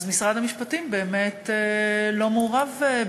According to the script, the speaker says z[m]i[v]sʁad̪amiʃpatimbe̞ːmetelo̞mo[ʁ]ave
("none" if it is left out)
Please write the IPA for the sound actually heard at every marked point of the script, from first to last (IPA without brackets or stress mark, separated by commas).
m, none, ʁ